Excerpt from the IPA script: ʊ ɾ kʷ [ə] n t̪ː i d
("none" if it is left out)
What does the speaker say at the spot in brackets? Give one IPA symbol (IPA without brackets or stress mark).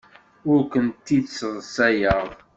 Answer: ə